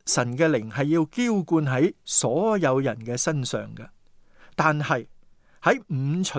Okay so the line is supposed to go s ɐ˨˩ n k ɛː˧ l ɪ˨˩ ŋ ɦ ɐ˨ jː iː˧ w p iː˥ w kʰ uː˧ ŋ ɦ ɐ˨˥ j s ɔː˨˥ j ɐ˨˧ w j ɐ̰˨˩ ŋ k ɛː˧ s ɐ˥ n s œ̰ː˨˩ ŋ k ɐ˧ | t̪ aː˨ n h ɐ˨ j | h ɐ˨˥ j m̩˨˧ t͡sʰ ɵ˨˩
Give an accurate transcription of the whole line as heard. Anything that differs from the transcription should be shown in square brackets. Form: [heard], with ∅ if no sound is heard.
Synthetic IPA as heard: s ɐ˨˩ n k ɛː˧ l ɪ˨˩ ŋ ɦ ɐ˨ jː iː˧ w [k] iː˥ w [k] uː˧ [n] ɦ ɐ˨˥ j s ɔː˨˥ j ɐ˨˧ w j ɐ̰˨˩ [n] k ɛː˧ s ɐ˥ n s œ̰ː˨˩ ŋ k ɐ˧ | t̪ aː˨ n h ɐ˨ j | h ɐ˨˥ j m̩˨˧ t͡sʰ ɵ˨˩